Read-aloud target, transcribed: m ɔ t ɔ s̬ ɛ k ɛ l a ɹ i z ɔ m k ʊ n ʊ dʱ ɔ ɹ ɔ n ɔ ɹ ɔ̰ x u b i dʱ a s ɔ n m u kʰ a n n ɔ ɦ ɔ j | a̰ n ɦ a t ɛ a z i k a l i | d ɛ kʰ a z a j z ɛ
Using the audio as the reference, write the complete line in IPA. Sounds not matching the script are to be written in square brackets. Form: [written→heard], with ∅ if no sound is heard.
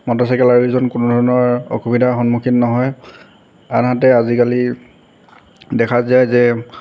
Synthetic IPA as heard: m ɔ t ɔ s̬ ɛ k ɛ l a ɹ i z ɔ [m→n] k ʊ n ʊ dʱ ɔ ɹ ɔ n ɔ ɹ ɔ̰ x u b i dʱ a [s→x] ɔ n m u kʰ [a→i] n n ɔ ɦ ɔ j | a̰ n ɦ a t ɛ a z i k a l i | d ɛ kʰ a z a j z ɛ